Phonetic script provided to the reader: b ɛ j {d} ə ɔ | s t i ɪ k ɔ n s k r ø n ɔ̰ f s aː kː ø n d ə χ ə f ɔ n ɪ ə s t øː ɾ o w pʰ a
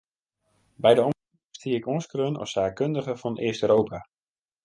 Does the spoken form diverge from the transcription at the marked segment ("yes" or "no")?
no